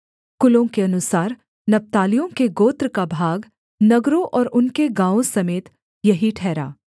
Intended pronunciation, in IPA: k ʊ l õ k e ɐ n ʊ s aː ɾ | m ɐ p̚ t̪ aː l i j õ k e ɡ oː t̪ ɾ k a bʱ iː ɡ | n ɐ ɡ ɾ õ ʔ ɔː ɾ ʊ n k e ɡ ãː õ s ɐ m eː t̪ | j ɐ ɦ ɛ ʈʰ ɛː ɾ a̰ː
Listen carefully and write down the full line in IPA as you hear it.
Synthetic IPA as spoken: k ʊ l õ k e ɐ n ʊ s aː ɾ | n ɐ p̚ t̪ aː l i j õ k e ɡ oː t̪ ɾ k a bʱ aː ɡ | n ɐ ɡ ɾ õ ʔ ɔː ɾ ʊ n k e ɡ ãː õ s ɐ m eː t̪ | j ɐ ɦ i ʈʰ ɛː ɾ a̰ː